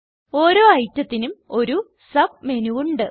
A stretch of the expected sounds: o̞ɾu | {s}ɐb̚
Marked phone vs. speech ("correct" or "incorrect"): correct